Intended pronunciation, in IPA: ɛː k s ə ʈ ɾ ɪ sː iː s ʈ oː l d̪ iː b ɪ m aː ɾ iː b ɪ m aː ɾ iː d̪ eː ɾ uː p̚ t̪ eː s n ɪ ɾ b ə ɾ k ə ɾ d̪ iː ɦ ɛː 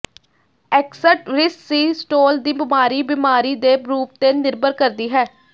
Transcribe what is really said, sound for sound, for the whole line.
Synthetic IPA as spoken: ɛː k s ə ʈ ɾ ɪ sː iː s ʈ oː l d̪ iː b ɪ m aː ɾ iː b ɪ m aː ɾ iː d̪ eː ɾ uː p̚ t̪ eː n ɪ ɾ b ə ɾ k ə ɾ d̪ iː ɦ ɛː